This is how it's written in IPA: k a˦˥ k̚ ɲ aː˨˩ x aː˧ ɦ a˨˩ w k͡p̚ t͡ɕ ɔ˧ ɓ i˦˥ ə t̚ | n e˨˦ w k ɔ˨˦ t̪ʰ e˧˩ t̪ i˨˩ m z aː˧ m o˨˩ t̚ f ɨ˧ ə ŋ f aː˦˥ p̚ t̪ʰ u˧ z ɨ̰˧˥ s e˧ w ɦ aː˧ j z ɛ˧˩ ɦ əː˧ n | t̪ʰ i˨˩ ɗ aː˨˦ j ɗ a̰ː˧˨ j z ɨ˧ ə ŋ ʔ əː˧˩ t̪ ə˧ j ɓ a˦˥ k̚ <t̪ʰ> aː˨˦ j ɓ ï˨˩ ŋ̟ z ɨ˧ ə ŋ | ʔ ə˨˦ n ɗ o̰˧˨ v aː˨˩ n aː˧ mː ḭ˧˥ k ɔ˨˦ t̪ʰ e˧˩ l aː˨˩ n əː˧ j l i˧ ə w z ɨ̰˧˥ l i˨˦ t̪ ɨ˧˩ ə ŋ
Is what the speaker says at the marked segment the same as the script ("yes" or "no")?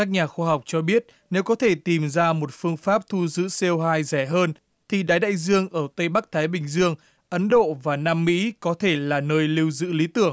yes